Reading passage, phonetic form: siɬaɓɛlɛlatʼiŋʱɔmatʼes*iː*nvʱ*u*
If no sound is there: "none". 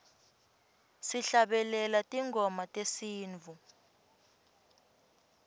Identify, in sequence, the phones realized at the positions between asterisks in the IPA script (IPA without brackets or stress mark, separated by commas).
iː, u